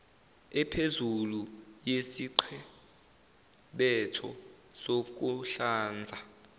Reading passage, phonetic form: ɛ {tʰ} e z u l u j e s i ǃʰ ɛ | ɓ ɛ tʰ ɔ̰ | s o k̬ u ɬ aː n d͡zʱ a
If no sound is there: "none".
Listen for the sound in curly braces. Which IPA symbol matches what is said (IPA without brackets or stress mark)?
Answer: pʰ